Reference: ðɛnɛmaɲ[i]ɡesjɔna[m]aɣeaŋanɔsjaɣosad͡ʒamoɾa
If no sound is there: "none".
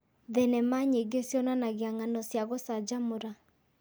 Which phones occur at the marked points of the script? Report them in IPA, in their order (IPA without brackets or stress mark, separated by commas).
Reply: e, n